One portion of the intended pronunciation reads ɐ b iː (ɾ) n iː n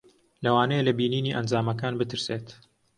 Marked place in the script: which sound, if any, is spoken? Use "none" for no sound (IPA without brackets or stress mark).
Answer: none